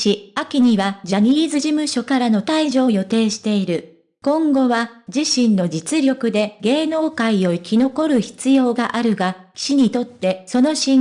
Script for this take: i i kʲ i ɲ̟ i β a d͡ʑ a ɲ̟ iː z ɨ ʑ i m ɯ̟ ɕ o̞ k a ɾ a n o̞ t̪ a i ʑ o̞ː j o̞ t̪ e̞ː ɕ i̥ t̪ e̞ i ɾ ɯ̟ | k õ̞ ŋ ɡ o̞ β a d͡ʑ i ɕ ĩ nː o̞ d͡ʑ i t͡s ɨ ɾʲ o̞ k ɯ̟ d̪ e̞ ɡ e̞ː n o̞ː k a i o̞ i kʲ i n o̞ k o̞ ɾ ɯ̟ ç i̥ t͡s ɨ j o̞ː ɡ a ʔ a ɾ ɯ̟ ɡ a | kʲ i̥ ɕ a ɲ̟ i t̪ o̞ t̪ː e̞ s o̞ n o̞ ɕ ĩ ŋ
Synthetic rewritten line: i a kʲ i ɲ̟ i β a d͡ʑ a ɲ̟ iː z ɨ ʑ i m ɯ̟ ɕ o̞ k a ɾ a n o̞ t̪ a i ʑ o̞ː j o̞ t̪ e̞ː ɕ i̥ t̪ e̞ i ɾ ɯ̟ | k õ̞ ŋ ɡ o̞ β a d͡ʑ i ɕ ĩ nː o̞ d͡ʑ i t͡s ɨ ɾʲ o̞ k ɯ̟ d̪ e̞ ɡ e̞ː n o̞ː k a i o̞ i kʲ i n o̞ k o̞ ɾ ɯ̟ ç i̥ t͡s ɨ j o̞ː ɡ a ʔ a ɾ ɯ̟ ɡ a | kʲ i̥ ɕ i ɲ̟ i t̪ o̞ t̪ː e̞ s o̞ n o̞ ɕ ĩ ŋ